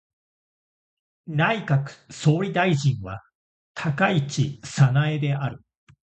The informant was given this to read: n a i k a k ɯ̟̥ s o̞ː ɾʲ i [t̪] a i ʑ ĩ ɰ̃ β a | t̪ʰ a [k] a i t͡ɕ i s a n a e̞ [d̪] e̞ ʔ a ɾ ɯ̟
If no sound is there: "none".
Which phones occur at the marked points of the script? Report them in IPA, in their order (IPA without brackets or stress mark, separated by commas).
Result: d̪, k, d̪